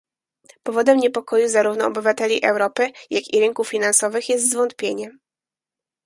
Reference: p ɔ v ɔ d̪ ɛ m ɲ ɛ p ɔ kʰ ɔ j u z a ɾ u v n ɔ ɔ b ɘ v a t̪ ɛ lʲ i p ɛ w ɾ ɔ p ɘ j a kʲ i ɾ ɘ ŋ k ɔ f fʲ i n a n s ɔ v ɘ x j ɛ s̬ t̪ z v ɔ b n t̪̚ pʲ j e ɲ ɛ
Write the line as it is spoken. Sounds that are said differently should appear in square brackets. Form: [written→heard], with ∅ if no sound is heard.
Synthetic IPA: p ɔ v ɔ d̪ ɛ m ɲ ɛ p ɔ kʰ ɔ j u z a ɾ u v n ɔ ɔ b ɘ v a t̪ ɛ lʲ i [p→ʔ] ɛ w ɾ ɔ p ɘ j a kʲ i ɾ ɘ ŋ k [ɔ→u] f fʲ i n a n s ɔ v ɘ x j ɛ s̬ t̪ z v ɔ [b→∅] n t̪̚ pʲ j e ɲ ɛ